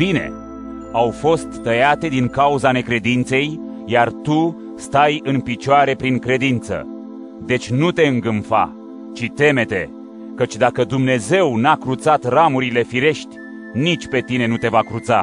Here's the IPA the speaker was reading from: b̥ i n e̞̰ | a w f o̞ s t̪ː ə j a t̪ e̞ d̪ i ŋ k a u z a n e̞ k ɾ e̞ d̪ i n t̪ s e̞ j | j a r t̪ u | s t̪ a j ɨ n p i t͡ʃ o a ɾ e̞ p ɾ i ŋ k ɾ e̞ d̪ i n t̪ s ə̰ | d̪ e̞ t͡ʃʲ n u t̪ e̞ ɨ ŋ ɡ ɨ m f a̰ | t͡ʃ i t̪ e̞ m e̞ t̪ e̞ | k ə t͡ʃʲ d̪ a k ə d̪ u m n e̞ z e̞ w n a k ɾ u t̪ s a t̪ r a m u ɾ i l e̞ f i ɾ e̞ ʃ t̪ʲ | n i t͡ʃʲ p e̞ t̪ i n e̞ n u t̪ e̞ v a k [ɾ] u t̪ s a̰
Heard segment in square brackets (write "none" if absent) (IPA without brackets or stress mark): ɾ